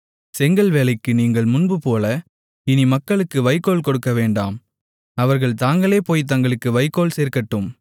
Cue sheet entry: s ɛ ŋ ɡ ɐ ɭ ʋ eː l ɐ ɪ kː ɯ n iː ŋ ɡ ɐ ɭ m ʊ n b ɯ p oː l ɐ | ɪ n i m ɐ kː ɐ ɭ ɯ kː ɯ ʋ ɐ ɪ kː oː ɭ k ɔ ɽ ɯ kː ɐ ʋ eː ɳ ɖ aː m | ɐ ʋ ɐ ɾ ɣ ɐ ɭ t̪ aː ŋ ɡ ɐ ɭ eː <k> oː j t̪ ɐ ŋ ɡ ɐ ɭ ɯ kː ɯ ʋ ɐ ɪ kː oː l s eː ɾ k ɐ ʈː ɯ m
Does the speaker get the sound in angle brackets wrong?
yes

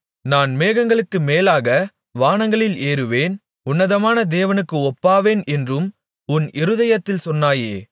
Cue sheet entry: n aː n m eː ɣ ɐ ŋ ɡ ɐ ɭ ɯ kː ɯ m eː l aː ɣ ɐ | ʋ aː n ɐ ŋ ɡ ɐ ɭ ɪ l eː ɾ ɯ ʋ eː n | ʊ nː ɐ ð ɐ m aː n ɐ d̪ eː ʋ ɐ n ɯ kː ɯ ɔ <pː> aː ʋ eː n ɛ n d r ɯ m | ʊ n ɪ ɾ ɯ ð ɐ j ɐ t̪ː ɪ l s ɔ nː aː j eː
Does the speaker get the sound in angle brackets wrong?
no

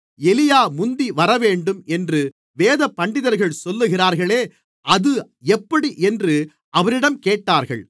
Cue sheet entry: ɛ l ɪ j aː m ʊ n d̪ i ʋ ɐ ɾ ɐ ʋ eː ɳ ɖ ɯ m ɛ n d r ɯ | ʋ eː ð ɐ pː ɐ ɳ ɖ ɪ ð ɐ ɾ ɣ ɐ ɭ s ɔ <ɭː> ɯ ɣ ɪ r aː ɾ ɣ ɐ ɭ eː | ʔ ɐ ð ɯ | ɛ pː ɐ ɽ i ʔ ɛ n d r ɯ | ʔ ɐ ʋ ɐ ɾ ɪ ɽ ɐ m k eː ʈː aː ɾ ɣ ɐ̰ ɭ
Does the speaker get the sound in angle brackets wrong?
yes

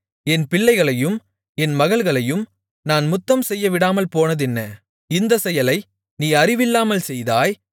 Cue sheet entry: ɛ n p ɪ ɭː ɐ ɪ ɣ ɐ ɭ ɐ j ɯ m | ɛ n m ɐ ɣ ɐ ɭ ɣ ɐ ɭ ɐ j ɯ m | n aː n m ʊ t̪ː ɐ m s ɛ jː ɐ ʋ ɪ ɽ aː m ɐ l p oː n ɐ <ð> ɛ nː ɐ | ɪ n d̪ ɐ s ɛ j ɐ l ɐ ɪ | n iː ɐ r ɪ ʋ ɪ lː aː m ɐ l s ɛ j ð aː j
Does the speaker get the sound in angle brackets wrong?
no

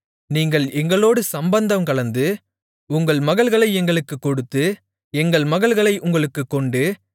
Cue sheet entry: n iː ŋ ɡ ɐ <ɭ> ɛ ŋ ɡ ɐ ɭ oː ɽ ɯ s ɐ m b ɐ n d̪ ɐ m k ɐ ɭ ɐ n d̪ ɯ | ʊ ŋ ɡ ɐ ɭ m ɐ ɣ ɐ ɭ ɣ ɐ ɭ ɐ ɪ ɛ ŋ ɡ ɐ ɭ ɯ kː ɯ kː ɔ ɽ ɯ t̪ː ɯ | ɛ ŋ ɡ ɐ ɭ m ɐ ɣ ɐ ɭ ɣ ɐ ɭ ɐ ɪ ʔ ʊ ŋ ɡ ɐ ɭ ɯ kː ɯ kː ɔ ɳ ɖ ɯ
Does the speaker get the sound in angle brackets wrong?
no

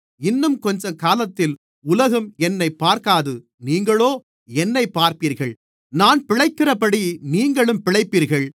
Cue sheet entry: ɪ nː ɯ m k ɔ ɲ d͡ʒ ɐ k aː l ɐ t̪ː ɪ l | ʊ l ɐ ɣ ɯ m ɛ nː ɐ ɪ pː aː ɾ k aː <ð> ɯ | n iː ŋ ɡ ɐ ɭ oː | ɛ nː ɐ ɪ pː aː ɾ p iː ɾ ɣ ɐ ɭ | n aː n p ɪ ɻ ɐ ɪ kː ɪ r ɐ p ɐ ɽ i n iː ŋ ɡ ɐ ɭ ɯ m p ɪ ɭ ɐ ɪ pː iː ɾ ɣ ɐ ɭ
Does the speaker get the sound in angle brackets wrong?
no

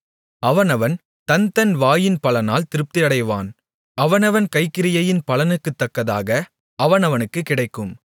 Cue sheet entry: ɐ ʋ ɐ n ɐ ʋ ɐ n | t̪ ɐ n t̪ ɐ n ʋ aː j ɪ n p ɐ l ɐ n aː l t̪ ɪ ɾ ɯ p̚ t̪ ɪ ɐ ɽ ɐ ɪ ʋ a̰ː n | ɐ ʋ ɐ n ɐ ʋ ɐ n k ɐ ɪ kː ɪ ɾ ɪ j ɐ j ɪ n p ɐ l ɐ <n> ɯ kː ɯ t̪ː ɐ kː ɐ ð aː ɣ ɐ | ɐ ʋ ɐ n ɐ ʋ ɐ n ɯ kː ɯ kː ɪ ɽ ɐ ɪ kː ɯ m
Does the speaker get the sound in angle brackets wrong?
no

